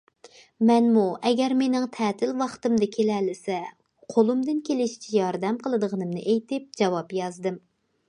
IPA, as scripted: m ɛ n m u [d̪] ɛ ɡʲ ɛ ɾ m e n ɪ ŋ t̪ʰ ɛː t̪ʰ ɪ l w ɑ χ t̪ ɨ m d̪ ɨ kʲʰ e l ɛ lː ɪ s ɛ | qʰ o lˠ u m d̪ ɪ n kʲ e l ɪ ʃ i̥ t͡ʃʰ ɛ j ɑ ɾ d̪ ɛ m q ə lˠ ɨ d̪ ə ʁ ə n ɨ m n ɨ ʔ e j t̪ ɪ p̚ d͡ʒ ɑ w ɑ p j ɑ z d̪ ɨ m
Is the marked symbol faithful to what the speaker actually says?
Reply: no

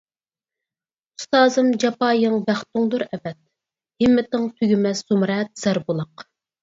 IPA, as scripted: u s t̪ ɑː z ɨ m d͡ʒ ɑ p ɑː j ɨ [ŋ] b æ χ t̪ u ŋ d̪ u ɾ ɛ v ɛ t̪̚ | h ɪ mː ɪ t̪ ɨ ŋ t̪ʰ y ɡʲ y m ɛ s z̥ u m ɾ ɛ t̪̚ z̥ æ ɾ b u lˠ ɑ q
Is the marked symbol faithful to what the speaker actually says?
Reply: yes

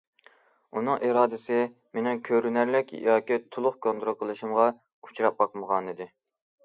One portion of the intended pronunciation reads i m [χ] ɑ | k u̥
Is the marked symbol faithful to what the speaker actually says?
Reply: no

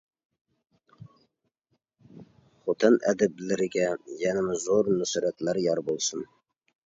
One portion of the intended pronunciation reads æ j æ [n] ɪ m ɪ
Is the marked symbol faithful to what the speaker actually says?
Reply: yes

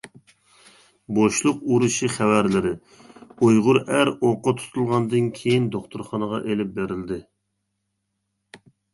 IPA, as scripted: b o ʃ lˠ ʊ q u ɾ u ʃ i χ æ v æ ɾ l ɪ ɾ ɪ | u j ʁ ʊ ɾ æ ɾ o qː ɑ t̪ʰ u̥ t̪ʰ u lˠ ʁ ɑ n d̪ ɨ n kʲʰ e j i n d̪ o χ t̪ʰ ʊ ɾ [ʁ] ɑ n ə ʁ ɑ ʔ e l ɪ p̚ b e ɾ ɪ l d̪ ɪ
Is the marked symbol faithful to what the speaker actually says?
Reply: no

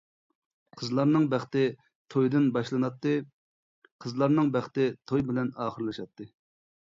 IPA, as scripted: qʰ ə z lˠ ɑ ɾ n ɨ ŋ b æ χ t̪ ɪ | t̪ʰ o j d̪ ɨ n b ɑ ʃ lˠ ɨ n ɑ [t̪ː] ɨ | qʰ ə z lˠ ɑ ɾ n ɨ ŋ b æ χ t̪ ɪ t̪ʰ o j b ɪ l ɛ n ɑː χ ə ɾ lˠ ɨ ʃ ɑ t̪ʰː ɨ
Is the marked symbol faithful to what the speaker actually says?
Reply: yes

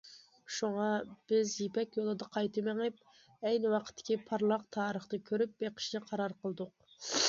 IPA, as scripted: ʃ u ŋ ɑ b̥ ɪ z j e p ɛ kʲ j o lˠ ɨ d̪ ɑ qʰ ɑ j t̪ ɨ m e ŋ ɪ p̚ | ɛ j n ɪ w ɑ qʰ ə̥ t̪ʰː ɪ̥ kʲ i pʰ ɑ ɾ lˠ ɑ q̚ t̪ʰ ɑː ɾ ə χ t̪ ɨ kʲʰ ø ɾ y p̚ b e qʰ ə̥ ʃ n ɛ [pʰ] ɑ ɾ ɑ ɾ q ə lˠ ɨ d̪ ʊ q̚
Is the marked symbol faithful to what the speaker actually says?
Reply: no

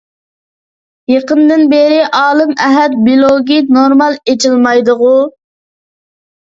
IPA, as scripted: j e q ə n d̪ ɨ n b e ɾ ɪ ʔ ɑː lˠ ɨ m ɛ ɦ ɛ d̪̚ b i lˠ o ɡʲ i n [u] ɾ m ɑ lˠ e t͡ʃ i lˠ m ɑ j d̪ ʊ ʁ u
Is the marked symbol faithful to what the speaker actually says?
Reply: no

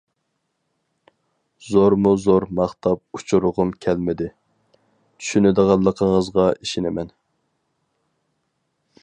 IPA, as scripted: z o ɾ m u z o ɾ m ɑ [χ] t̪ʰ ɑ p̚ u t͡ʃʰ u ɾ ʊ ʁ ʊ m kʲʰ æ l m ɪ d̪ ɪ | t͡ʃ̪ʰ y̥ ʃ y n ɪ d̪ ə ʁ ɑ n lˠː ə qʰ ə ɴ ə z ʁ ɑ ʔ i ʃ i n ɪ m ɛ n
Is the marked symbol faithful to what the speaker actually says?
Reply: yes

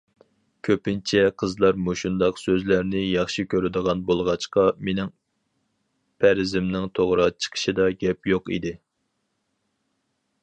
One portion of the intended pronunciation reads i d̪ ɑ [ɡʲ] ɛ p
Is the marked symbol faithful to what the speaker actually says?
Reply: yes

